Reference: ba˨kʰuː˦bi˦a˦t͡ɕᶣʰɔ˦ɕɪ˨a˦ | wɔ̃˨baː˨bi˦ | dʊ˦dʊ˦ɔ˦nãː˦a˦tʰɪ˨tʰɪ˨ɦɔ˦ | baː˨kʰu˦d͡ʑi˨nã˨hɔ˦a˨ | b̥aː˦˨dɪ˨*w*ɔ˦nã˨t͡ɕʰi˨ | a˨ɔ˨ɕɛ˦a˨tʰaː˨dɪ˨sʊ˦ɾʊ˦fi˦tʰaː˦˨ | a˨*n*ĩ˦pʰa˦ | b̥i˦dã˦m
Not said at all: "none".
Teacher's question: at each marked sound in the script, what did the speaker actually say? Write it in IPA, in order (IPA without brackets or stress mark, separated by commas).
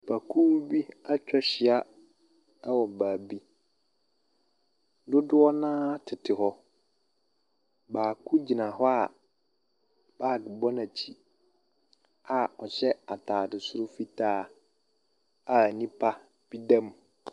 b, n